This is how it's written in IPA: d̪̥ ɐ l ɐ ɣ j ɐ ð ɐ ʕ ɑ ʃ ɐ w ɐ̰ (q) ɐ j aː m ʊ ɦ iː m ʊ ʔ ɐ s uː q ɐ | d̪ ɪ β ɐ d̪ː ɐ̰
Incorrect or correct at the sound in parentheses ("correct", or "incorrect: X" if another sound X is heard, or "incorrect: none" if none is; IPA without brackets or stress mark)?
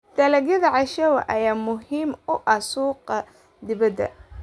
incorrect: ʔ